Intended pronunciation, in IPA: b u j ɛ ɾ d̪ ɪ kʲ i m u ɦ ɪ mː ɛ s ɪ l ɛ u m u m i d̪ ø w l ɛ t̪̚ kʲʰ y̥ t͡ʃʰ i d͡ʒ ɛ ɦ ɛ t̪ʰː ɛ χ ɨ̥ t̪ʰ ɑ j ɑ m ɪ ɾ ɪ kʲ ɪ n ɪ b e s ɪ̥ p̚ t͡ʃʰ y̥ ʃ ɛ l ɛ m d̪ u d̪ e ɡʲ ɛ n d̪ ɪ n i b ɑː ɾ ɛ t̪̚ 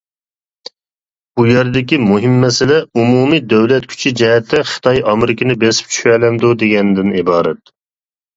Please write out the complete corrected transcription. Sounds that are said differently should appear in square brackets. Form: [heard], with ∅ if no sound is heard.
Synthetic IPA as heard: b u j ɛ ɾ d̪ ɪ kʲ i m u ɦ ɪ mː ɛ s ɪ l ɛ u m u m i d̪ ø w l ɛ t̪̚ kʲʰ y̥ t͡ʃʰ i d͡ʒ ɛ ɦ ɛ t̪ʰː ɛ χ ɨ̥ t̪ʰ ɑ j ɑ m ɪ ɾ ɪ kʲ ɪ n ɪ b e s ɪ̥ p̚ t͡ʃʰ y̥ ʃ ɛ l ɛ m d̪ u d̪ e ɡʲ ɛ n d̪ ɪ n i b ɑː ɾ ɛ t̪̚